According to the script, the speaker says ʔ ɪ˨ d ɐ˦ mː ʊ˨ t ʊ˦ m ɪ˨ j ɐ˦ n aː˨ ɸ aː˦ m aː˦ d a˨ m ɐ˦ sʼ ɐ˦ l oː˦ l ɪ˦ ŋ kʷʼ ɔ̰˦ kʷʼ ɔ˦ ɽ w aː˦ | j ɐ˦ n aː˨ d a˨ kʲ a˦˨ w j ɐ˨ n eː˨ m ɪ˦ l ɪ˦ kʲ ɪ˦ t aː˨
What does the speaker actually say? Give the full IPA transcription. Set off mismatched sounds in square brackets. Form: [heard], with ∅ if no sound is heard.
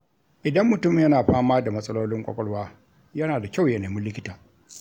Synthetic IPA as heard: ʔ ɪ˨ d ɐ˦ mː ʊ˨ t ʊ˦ m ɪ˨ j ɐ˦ n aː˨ ɸ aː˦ m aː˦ d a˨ m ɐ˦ sʼ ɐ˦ l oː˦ l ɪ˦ ŋ kʷʼ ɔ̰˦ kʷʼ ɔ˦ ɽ w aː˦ | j ɐ˦ n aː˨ d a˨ kʲ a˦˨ w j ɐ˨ n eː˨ m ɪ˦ l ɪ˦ kʲ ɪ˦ t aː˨

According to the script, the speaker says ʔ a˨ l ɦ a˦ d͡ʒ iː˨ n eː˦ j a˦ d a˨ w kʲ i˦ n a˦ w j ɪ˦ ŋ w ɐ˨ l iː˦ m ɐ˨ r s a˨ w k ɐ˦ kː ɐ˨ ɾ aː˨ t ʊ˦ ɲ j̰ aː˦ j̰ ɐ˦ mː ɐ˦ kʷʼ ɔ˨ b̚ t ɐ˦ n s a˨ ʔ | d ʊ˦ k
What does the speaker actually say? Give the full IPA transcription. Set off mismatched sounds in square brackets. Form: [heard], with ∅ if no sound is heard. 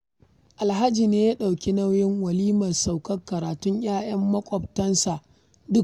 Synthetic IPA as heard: ʔ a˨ l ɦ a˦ d͡ʒ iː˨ n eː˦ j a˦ [ɗ] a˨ w kʲ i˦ n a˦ w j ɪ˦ ŋ w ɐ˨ l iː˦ m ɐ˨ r s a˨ w k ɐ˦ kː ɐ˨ ɾ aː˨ t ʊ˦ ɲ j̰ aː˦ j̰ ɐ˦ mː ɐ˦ kʷʼ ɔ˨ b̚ t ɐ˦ n s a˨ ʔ | d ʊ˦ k

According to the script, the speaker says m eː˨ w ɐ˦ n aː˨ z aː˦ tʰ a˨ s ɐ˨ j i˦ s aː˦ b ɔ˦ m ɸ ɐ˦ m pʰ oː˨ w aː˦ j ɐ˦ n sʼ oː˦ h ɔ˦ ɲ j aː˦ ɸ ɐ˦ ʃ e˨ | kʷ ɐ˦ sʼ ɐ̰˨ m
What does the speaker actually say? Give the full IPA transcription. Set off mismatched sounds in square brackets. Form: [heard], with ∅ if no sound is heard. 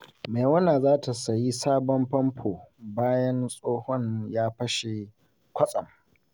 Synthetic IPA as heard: m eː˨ w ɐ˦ n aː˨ z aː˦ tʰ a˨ s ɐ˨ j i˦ s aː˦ b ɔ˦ m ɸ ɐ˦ m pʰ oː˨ [b] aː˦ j ɐ˦ n sʼ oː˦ h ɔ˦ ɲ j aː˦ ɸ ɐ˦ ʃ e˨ | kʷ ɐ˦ sʼ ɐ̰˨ m

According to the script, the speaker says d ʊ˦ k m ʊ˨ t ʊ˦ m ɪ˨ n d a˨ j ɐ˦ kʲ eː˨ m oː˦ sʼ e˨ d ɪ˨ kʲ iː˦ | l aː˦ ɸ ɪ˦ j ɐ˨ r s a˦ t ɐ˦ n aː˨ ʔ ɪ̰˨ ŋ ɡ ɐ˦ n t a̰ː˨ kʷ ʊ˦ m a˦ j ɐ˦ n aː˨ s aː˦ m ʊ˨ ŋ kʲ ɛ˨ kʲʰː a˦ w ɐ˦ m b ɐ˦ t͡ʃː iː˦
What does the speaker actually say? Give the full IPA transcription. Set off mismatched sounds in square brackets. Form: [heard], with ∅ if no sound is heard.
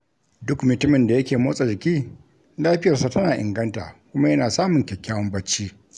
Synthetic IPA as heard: d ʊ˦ k m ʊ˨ t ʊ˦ m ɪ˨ n d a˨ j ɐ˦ kʲ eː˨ m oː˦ sʼ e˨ [d͡ʒ] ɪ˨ kʲ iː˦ | l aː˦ ɸ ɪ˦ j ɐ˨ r s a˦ t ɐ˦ n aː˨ ʔ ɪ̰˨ ŋ ɡ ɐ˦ n t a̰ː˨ kʷ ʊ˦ m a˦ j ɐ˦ n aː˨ s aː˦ m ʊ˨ ŋ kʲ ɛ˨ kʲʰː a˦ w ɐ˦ m b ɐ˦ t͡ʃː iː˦

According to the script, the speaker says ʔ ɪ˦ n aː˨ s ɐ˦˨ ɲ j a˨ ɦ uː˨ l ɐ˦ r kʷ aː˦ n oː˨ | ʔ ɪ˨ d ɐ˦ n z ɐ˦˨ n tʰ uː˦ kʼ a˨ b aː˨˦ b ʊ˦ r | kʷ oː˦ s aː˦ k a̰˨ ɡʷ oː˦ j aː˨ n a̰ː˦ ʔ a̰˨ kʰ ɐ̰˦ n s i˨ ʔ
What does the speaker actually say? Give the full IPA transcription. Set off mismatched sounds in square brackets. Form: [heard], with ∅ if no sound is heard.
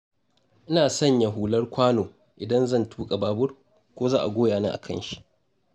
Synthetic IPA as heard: ʔ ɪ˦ n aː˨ s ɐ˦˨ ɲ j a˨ ɦ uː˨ l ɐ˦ r kʷ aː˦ n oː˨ | ʔ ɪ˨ d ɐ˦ n z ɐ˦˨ n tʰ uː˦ kʼ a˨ b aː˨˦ b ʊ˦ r | kʷ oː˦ [z] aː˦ [ʔ] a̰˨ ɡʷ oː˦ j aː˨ n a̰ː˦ ʔ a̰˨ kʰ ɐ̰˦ n [ʃ] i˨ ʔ

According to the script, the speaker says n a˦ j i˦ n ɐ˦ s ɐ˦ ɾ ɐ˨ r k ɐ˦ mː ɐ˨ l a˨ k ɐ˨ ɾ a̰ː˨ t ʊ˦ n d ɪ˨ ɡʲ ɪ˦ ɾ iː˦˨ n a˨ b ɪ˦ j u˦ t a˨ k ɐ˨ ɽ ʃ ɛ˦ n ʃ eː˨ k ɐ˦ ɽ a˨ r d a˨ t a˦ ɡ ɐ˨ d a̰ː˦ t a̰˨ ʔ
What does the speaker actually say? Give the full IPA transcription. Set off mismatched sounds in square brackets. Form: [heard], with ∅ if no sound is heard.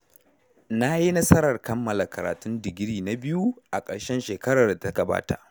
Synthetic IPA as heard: n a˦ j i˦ n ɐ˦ s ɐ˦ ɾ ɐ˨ r k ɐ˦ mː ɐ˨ l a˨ k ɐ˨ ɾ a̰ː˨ t ʊ˦ n d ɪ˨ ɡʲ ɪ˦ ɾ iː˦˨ n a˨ b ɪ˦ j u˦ [ʔ] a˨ [kʼ] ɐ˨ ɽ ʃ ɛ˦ n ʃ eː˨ k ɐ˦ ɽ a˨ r d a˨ t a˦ ɡ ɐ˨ [b] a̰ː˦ t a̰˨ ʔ

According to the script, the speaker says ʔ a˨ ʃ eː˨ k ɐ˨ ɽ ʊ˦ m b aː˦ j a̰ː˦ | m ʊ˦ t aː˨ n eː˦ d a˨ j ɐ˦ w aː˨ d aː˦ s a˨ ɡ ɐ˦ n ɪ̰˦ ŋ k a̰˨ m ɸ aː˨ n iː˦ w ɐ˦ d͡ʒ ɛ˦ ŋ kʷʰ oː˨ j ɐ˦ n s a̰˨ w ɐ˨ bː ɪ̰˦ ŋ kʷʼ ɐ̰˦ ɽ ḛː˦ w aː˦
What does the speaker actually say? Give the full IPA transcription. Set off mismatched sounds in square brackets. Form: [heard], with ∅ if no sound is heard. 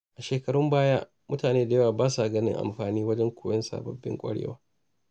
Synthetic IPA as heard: ʔ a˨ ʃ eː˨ k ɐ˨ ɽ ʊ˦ m b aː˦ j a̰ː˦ | m ʊ˦ t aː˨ n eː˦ d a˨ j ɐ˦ w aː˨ [b] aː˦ s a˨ ɡ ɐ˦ n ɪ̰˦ ŋ [ʔ] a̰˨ m ɸ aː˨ n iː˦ w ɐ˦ d͡ʒ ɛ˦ ŋ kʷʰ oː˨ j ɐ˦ n s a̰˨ [b] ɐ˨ bː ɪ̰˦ ŋ kʷʼ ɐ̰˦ ɽ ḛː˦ w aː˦

